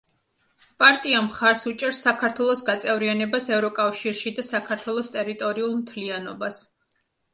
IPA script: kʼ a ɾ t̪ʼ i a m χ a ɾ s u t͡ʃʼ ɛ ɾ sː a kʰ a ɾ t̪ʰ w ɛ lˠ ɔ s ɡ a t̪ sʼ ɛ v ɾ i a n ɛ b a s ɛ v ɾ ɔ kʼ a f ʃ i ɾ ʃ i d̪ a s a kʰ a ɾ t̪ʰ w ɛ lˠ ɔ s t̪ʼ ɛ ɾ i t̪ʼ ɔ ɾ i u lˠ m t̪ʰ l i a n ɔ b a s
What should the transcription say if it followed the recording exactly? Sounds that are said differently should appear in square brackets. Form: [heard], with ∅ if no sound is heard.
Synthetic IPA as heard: [pʼ] a ɾ t̪ʼ i a m χ a ɾ s u t͡ʃʼ ɛ ɾ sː a kʰ a ɾ t̪ʰ w ɛ lˠ ɔ s ɡ a t̪ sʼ ɛ v ɾ i a n ɛ b a s ɛ v ɾ ɔ kʼ a f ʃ i ɾ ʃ i d̪ a s a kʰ a ɾ t̪ʰ w ɛ lˠ ɔ s t̪ʼ ɛ ɾ i t̪ʼ ɔ ɾ i u lˠ m t̪ʰ l i a n ɔ b a s